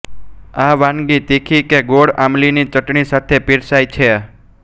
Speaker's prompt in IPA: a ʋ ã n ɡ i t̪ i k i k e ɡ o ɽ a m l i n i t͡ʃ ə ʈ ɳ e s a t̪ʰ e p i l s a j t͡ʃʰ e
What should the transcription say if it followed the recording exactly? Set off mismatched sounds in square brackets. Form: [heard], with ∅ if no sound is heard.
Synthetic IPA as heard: a ʋ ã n ɡ i t̪ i [kʰ] i k e ɡ o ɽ a m l i n i t͡ʃ ə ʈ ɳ [i] s a t̪ʰ e p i [ɾ] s a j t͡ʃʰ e